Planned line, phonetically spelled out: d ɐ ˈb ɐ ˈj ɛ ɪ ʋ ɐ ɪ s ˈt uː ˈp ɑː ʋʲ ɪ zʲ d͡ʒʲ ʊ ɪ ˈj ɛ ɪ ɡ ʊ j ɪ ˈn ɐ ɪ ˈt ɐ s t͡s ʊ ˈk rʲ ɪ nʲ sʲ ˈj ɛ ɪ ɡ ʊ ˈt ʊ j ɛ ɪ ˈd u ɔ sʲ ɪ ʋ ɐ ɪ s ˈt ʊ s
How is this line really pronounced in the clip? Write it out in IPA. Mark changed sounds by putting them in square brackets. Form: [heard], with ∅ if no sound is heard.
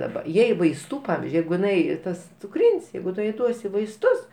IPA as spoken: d ɐ ˈb ɐ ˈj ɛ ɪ ʋ ɐ ɪ s ˈt uː ˈp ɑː ʋʲ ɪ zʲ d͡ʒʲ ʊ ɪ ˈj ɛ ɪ ɡ ʊ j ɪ ˈn ɐ ɪ ˈt ɐ s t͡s ʊ ˈk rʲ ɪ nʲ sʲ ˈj ɛ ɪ ɡ ʊ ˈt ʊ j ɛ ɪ ˈd u ɔ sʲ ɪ ʋ ɐ ɪ s ˈt ʊ s